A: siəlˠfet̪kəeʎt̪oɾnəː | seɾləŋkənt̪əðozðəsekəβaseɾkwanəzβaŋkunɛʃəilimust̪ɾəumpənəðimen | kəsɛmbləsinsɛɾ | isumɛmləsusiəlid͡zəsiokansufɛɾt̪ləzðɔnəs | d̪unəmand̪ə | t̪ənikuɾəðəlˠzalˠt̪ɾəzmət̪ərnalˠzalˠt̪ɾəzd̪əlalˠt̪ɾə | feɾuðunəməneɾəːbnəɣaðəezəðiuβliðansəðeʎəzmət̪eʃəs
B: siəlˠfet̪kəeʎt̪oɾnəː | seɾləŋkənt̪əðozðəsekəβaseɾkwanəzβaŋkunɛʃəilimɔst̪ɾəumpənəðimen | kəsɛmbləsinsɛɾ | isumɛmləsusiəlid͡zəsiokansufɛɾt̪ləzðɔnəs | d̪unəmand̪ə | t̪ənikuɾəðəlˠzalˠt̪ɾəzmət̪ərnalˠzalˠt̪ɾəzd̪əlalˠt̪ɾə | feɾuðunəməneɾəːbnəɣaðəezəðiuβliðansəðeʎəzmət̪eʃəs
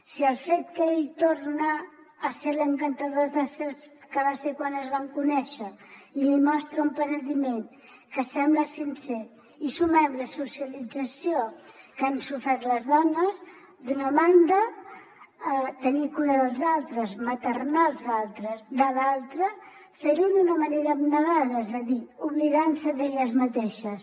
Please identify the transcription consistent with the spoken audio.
B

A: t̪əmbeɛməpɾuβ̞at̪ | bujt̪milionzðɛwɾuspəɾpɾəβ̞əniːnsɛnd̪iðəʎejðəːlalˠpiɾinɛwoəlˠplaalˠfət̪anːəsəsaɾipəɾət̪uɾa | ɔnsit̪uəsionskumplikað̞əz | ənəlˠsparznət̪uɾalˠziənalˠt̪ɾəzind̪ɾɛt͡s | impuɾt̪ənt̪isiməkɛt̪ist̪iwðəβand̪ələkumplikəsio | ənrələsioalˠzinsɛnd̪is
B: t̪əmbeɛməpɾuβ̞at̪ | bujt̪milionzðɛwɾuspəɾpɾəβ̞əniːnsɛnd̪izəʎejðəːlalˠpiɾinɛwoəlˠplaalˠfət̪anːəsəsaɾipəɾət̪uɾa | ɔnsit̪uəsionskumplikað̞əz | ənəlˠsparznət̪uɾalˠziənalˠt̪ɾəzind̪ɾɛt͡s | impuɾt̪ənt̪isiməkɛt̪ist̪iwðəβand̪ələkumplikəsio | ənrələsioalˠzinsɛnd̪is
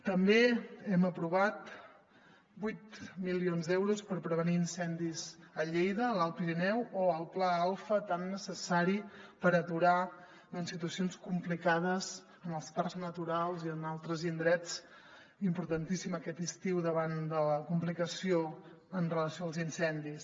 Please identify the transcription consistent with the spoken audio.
B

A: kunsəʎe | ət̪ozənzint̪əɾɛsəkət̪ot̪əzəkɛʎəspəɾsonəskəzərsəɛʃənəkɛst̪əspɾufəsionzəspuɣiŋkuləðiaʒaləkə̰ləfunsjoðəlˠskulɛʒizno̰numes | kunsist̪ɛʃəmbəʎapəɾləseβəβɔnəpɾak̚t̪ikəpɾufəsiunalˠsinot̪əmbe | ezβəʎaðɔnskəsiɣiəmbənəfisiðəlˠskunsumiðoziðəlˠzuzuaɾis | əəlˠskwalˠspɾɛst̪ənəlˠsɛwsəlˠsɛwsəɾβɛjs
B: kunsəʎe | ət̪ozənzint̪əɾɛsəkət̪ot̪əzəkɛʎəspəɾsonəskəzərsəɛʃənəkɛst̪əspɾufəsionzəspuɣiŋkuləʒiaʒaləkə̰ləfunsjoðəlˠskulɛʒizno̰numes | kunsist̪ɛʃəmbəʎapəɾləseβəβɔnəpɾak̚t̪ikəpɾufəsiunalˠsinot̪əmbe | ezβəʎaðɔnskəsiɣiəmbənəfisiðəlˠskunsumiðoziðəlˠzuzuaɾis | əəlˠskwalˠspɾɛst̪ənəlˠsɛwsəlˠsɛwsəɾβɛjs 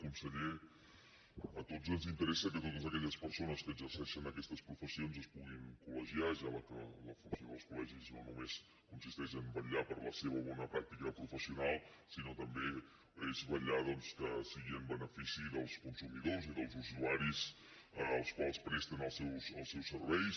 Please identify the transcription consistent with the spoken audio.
B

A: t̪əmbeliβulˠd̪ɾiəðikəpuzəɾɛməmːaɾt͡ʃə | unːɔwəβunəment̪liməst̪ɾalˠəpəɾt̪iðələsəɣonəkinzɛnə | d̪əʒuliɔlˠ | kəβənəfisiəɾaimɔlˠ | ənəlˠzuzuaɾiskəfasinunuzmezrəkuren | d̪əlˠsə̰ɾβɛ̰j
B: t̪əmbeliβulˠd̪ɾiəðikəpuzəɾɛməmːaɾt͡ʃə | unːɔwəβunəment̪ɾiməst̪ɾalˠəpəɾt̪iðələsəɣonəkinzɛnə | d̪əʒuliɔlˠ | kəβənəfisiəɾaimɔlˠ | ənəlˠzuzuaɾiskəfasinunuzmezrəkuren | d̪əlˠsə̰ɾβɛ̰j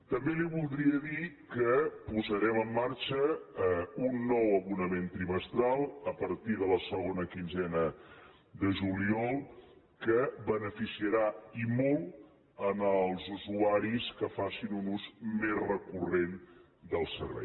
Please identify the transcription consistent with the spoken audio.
B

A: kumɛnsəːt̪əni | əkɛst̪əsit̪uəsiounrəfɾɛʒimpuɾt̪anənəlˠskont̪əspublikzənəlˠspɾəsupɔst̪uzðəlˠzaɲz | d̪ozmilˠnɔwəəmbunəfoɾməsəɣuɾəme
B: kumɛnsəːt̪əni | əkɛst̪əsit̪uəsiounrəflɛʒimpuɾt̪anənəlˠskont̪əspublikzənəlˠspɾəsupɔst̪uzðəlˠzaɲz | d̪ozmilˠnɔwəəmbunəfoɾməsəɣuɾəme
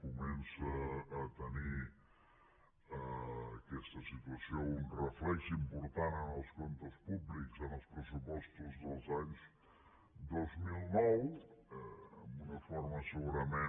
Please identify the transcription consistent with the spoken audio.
B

